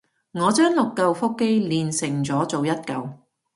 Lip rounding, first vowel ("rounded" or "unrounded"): rounded